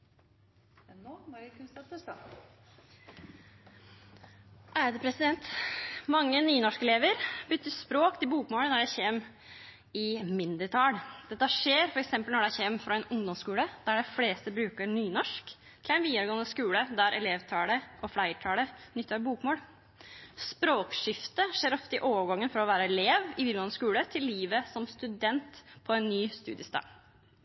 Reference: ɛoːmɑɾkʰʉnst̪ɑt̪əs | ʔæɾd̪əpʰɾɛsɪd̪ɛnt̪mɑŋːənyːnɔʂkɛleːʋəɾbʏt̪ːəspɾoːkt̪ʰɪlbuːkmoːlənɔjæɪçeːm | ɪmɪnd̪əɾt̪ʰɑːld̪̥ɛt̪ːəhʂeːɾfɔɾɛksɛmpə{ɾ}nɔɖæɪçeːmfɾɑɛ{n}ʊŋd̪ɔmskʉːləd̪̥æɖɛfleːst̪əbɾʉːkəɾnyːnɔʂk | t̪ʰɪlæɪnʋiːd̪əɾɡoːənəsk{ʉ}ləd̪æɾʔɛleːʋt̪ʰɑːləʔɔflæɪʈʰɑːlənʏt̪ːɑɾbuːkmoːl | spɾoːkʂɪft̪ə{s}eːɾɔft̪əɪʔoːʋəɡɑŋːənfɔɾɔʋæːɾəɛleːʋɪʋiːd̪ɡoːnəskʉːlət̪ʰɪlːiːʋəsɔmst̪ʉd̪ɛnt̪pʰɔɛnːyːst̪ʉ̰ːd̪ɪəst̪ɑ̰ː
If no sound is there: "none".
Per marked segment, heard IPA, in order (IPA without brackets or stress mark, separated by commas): l, n, ʉː, ʂ